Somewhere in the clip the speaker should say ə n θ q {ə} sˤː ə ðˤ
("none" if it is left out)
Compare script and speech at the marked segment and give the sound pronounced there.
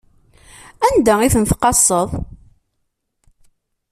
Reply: ɑ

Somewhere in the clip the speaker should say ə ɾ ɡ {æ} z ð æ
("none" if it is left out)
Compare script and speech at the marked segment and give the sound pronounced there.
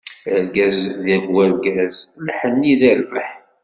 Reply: æ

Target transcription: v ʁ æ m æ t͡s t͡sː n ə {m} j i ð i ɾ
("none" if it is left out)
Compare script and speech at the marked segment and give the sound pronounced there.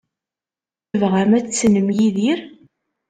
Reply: m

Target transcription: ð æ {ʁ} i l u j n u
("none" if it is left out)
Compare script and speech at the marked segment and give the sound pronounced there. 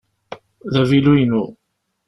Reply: v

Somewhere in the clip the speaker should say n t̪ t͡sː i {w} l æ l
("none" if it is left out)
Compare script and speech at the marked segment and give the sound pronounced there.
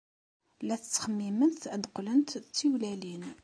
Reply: w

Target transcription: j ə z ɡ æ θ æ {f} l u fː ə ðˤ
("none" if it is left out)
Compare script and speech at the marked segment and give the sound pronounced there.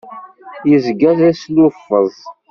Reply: s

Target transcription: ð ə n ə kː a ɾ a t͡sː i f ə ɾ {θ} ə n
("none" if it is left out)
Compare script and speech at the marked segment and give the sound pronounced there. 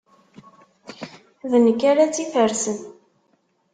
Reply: s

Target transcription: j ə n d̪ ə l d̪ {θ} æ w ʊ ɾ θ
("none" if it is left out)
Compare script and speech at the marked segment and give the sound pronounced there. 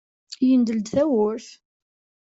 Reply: θ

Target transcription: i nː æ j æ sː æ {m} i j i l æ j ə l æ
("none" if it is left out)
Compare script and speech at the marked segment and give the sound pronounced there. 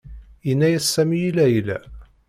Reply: m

